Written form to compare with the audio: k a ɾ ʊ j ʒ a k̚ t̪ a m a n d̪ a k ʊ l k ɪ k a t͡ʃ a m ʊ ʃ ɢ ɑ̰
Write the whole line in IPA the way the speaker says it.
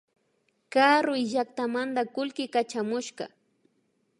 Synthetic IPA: k a ɾ ʊ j ʒ a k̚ t̪ a m a n d̪ a k ʊ l k ɪ k a t͡ʃ a m ʊ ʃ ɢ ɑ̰